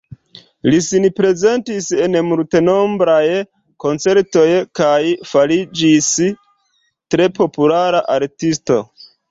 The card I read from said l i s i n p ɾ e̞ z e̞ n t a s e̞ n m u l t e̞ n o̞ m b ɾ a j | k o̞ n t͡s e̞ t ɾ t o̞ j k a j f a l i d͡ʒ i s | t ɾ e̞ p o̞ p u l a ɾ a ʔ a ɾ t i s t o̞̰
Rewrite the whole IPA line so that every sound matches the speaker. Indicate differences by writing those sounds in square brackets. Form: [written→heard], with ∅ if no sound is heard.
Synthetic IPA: l i s i n p ɾ e̞ z e̞ n t [a→i] s e̞ n m u l t e̞ n o̞ m b ɾ a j | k o̞ n t͡s e̞ [t→∅] ɾ t o̞ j k a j f a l i d͡ʒ i s | t ɾ e̞ p o̞ p u l a ɾ a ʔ a ɾ t i s t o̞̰

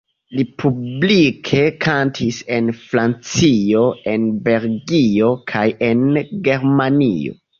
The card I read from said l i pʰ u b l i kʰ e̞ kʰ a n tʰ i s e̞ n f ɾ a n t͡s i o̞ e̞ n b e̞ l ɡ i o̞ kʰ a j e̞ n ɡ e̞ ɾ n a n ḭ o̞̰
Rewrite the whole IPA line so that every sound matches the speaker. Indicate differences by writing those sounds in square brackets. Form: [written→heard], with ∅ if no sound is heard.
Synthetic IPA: l i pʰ u b l i kʰ e̞ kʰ a n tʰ i s e̞ n f ɾ a n t͡s i o̞ e̞ n b e̞ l ɡ i o̞ kʰ a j e̞ n ɡ e̞ ɾ [n→m] a n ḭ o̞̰

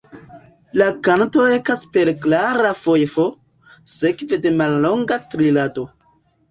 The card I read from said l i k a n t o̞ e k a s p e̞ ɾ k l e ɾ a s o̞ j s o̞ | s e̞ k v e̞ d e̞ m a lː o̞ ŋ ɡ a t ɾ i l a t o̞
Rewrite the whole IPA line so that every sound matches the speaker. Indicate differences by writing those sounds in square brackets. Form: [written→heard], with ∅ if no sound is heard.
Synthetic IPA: l [i→a] k a n t o̞ e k a s p e̞ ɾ k l [e→a] ɾ a [s→f] o̞ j [s→f] o̞ | s e̞ k v e̞ d e̞ m a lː o̞ ŋ ɡ a t ɾ i l a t o̞

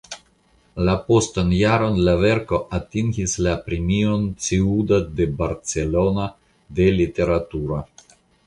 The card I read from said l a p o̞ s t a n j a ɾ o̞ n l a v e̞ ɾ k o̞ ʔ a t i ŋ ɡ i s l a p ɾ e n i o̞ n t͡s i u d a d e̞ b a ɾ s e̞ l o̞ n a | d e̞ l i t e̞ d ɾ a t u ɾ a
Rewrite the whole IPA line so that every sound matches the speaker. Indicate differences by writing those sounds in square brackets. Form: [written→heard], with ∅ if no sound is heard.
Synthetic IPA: l a p o̞ s t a n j a ɾ o̞ n l a v e̞ ɾ k o̞ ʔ a t i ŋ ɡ i s l a p ɾ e [n→m] i o̞ n t͡s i u d a d e̞ b a ɾ [s→t͡s] e̞ l o̞ n a | d e̞ l i t e̞ [d→∅] ɾ a t u ɾ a

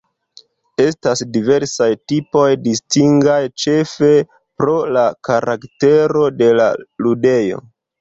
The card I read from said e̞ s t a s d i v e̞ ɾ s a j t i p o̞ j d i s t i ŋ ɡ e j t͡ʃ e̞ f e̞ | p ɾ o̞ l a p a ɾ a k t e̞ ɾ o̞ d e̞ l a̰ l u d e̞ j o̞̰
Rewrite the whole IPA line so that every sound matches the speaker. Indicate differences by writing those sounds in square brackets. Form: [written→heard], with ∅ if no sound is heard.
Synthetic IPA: e̞ s t a s d i v e̞ ɾ s a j t i p o̞ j d i s t i ŋ ɡ [e→a] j t͡ʃ e̞ f e̞ | p ɾ o̞ l a [p→k] a ɾ a k t e̞ ɾ o̞ d e̞ l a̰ l u d e̞ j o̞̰

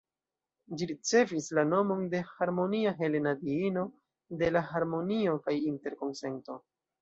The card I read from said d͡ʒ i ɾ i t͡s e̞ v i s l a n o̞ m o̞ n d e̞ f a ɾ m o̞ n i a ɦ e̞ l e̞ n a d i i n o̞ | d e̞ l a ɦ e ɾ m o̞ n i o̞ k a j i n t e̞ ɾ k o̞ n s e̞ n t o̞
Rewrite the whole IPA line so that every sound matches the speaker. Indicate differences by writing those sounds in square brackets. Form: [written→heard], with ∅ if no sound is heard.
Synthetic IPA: d͡ʒ i ɾ i t͡s e̞ v i s l a n o̞ m o̞ n d e̞ [f→h] a ɾ m o̞ n i a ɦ e̞ l e̞ n a d i i n o̞ | d e̞ l a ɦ [e→a] ɾ m o̞ n i o̞ k a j i n t e̞ ɾ k o̞ n s e̞ n t o̞

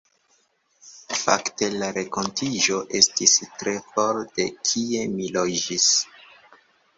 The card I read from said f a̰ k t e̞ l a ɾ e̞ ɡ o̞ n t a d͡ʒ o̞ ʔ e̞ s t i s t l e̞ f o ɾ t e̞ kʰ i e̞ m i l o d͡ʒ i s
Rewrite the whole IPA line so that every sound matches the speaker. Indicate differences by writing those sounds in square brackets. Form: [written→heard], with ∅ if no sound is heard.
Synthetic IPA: f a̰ k t e̞ l a ɾ e̞ [ɡ→k] o̞ n t [a→i] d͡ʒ o̞ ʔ e̞ s t i s t [l→ɾ] e̞ f o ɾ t e̞ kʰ i e̞ m i l o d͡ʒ i s

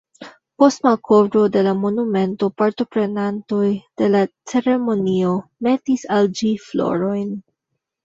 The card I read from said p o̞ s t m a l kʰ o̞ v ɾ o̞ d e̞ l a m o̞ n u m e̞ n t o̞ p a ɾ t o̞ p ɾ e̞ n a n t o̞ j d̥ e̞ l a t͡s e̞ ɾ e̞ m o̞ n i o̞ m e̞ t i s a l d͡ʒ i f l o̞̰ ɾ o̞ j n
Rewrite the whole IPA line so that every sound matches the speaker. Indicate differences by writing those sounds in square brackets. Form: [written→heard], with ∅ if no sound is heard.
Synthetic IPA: p o̞ s t m a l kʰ o̞ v ɾ o̞ d e̞ l a m o̞ n u m e̞ n t o̞ p a ɾ t o̞ p ɾ e̞ n a n t o̞ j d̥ e̞ l a t͡s e̞ ɾ e̞ m o̞ n i o̞ m e̞ t i s a l d͡ʒ i f l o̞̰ ɾ o̞ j n

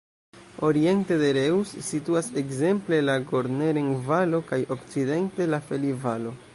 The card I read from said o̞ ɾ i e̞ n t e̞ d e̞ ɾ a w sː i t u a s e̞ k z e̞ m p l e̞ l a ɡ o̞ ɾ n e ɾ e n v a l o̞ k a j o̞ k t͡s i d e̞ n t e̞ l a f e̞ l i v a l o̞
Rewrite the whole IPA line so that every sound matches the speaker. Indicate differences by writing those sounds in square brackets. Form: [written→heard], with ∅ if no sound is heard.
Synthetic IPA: o̞ ɾ i e̞ n t e̞ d e̞ ɾ [a→e] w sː i t u a s e̞ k z e̞ m p l e̞ l a ɡ o̞ ɾ n e ɾ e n v a l o̞ k a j o̞ k t͡s i d e̞ n t e̞ l a f e̞ l i v a l o̞

